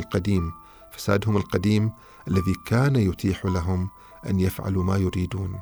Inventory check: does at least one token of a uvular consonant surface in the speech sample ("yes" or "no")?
yes